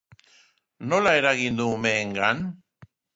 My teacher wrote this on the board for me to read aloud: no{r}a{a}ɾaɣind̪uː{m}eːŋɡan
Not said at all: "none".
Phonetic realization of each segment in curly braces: l, e, m

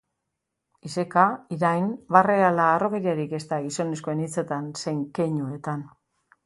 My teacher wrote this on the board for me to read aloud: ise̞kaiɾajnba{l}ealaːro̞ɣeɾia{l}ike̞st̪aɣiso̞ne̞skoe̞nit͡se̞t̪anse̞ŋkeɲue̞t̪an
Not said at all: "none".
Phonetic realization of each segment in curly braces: r, ɾ

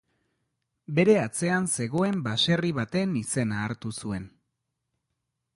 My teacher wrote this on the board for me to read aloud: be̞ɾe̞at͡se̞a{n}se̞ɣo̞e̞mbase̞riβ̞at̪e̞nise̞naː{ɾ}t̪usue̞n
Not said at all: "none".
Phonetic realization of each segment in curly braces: n, ɾ

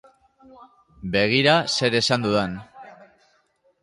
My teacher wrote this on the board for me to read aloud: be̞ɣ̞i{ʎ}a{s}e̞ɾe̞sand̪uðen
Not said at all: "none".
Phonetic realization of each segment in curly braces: ɾ, s

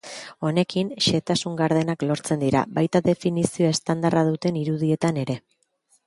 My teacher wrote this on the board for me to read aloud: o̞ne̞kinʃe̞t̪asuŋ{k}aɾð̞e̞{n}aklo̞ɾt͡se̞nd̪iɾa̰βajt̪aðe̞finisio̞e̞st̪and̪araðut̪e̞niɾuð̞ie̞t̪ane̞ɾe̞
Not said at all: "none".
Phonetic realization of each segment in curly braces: ɡ, n

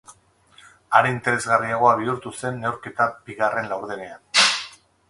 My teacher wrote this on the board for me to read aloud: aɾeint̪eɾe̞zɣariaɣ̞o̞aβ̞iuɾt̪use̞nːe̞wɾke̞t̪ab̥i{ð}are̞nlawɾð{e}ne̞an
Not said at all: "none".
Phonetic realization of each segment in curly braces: ɣ, e

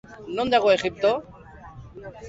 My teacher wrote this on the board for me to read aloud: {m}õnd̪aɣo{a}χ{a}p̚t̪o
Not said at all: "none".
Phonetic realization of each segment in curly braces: n, e, i

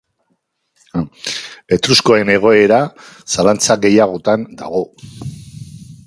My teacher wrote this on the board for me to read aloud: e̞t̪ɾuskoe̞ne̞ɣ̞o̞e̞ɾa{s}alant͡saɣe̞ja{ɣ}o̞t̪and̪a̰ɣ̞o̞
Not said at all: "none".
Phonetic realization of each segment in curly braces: s, ɣ

